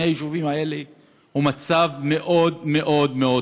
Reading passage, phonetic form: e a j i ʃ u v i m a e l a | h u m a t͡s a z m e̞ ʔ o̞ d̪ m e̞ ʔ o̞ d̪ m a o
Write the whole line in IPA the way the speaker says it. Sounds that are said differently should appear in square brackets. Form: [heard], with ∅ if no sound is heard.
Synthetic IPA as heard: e a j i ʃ u v i m a e l [e] | h u m a t͡s a [v] m e̞ ʔ o̞ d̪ m e̞ ʔ o̞ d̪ m [e] o